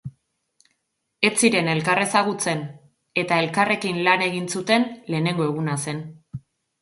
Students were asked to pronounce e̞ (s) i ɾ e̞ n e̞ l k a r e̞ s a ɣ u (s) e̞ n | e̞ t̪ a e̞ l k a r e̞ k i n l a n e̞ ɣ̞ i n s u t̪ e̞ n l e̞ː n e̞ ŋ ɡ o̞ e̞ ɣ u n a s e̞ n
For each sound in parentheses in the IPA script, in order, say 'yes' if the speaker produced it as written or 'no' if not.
no, no

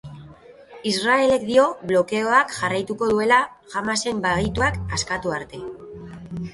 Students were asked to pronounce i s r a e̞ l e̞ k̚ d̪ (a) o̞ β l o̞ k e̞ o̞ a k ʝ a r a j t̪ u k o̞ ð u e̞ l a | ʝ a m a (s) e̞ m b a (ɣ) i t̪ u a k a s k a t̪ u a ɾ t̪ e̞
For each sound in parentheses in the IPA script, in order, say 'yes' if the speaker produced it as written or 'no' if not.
no, yes, yes

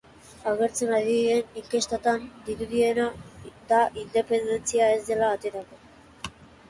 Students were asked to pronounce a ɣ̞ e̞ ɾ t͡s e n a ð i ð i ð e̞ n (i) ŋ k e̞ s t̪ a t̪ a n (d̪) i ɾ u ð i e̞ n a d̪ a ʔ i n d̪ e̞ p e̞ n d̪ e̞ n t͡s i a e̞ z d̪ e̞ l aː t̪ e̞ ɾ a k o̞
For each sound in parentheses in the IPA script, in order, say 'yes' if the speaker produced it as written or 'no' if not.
yes, yes

